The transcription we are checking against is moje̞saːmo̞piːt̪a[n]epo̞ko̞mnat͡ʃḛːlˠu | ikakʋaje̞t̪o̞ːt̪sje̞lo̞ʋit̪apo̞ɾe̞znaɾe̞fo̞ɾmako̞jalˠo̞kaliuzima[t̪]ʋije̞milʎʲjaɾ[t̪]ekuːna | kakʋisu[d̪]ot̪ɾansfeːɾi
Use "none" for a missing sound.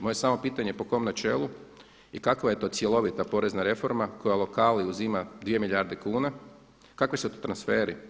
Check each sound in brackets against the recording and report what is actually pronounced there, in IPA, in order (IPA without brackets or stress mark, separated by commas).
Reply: ɲ, d̪, d̪, t̪